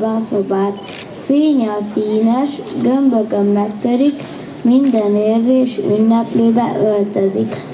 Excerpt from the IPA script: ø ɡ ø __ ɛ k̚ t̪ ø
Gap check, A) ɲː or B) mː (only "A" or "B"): B